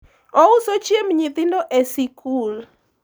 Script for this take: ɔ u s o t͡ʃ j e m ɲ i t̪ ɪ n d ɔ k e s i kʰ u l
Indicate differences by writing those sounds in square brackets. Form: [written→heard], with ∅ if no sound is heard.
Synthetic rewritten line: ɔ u s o t͡ʃ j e m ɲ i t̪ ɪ n d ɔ [k→ʔ] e s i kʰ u l

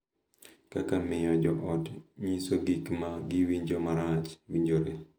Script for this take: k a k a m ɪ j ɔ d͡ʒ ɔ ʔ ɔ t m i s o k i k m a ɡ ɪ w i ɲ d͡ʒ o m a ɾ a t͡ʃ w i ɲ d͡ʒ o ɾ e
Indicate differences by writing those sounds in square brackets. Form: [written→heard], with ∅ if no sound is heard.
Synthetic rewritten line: k a k a m ɪ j ɔ d͡ʒ ɔ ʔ ɔ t [m→ɲ] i s o [k→ɡ] i k m a ɡ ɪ w i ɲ d͡ʒ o m a ɾ a t͡ʃ w i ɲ d͡ʒ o ɾ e

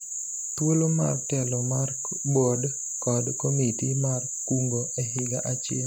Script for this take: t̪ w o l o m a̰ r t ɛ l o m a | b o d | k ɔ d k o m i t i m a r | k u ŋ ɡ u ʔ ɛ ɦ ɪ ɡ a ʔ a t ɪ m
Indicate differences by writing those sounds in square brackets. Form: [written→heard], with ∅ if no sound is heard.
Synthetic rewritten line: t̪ w o l o m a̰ r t ɛ l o m a | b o d | k ɔ d k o m i t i m a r | k u ŋ ɡ [u→o] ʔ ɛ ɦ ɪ ɡ a ʔ a [t→t͡ʃ] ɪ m

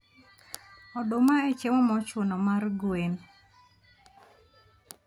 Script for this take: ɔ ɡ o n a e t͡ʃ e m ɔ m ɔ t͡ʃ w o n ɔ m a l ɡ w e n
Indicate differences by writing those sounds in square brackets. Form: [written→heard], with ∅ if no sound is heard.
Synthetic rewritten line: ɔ [ɡ→d] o [n→m] a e t͡ʃ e m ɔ m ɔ t͡ʃ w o n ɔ m a [l→r] ɡ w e n

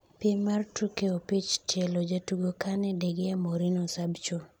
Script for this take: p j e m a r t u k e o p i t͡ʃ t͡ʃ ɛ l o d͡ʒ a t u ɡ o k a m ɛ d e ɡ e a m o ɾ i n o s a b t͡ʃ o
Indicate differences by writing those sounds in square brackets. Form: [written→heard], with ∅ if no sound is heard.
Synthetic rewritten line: p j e m a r t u k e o p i t͡ʃ t͡ʃ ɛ l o d͡ʒ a t u ɡ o k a [m→n] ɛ d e ɡ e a m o ɾ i n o s a b t͡ʃ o

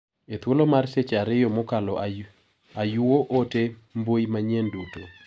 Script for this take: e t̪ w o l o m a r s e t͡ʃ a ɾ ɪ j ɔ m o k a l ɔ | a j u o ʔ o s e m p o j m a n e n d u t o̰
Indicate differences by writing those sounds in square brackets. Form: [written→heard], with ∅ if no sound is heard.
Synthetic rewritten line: e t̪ w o l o m a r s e t͡ʃ a ɾ ɪ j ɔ m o k a l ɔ | a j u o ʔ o [s→t] e m [p→b] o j m a [n→ɲ] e n d u t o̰

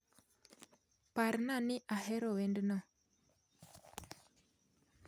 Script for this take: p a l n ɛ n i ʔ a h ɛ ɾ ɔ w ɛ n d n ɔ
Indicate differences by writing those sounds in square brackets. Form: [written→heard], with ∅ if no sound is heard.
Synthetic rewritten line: p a [l→ɾ] n [ɛ→a] n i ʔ a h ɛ ɾ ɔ w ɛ n d n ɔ

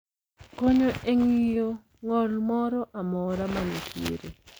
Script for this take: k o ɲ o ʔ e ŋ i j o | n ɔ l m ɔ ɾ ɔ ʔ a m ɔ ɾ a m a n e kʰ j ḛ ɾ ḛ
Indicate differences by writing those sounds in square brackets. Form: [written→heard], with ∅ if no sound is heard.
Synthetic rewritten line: k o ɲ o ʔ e ŋ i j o | [n→ŋ] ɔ l m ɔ ɾ ɔ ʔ a m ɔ ɾ a m a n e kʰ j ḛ ɾ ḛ

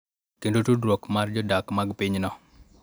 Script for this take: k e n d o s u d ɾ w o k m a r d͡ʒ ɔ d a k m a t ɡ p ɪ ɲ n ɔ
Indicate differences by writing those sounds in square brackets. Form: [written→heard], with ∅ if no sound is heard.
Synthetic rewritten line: k e n d o [s→t] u d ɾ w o k m a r d͡ʒ ɔ d a k m a [t→∅] ɡ p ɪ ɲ n ɔ

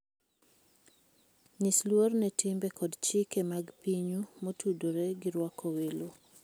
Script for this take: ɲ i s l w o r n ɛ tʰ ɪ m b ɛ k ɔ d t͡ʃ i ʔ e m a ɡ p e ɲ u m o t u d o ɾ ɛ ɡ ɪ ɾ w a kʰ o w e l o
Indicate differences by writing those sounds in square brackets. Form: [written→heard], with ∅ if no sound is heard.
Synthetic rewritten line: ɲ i s l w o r n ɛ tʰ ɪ m b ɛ k ɔ d t͡ʃ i [ʔ→k] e m a ɡ p [e→i] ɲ u m o t u d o ɾ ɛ ɡ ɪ ɾ w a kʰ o w e l o

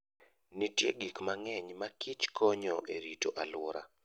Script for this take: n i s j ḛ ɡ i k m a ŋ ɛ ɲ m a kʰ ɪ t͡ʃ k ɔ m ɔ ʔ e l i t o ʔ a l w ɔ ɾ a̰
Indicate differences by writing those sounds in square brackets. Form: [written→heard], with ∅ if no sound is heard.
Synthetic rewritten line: n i [s→t] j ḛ ɡ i k m a ŋ ɛ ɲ m a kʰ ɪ t͡ʃ k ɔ [m→ɲ] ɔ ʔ e [l→ɾ] i t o ʔ a l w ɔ ɾ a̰

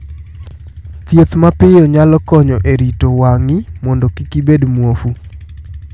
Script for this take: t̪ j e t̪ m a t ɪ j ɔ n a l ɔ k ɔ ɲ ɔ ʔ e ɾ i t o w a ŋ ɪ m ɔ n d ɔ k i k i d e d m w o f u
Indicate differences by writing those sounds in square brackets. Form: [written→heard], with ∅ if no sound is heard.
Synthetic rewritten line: t̪ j e t̪ m a [t→p] ɪ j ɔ [n→ɲ] a l ɔ k ɔ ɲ ɔ ʔ e ɾ i t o w a ŋ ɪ m ɔ n d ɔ k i k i [d→b] e d m w o f u

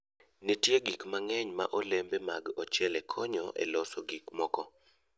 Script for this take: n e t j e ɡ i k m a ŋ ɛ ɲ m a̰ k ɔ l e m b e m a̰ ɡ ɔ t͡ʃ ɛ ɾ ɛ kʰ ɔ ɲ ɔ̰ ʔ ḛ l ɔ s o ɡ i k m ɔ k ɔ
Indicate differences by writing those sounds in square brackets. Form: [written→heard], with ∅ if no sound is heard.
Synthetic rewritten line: n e t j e ɡ i k m a ŋ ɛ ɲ m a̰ [k→ʔ] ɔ l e m b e m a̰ ɡ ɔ t͡ʃ ɛ [ɾ→l] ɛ kʰ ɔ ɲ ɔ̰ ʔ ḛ l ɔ s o ɡ i k m ɔ k ɔ

